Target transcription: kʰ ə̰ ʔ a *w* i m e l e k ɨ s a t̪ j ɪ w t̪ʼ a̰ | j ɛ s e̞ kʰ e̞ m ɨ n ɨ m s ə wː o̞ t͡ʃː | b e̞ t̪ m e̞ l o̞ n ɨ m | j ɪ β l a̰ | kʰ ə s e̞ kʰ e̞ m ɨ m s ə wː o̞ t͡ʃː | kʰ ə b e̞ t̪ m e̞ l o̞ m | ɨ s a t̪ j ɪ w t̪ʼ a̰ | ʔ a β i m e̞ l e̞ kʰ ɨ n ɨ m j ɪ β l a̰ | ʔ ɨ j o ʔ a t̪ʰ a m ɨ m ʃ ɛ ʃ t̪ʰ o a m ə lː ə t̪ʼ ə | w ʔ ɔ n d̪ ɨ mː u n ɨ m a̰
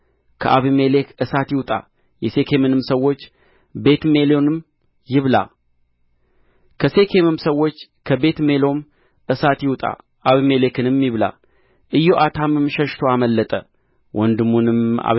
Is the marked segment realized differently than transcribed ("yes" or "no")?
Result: yes